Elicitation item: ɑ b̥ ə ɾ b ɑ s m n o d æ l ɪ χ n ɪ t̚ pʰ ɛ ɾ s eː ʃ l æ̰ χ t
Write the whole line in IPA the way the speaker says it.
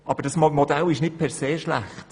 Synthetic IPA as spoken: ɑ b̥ ə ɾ d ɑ s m m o d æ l ɪ ʃ n ɪ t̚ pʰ ɛ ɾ s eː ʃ l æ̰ χ t